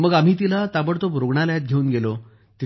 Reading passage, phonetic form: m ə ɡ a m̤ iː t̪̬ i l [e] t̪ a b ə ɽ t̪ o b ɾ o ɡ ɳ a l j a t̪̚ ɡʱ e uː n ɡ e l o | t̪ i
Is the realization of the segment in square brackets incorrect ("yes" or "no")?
yes